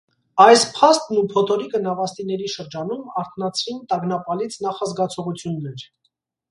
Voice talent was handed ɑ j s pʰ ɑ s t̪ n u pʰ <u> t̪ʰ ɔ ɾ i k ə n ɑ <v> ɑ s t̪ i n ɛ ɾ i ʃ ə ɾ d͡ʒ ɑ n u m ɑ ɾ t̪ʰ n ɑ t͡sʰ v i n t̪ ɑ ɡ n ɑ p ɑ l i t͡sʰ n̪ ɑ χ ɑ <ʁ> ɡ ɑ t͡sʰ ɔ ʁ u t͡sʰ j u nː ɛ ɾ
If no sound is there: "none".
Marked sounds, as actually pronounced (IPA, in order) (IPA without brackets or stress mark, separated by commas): ɔ, v, z